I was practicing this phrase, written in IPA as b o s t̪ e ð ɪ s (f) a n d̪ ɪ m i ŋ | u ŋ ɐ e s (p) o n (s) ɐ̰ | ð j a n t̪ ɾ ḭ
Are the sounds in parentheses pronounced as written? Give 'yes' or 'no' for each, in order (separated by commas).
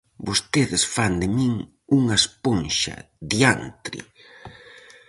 yes, yes, no